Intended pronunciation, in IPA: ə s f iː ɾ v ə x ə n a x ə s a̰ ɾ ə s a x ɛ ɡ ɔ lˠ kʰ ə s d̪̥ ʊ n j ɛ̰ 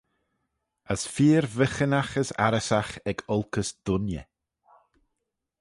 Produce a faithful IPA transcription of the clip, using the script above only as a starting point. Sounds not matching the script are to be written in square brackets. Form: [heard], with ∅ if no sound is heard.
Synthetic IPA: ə s f iː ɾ v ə x ə n a x ə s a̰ ɾ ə s a x ɛ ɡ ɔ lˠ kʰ ə s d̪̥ ʊ n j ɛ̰